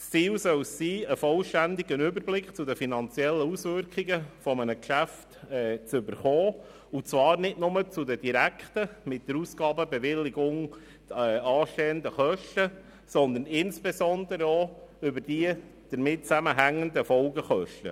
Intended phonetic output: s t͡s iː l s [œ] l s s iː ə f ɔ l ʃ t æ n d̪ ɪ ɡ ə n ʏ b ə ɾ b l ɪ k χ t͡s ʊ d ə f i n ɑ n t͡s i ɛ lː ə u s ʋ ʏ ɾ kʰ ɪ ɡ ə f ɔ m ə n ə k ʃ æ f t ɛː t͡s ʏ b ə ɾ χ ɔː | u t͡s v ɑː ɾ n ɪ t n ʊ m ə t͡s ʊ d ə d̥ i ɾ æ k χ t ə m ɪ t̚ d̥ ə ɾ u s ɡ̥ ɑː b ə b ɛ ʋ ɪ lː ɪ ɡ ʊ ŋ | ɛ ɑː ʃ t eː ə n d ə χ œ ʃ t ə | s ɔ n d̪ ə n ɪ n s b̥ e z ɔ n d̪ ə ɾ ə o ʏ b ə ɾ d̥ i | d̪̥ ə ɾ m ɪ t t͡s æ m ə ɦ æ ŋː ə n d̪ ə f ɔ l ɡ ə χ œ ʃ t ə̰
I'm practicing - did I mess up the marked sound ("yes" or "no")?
no